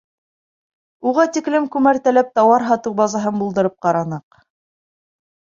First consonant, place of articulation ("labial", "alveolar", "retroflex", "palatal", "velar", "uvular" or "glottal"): uvular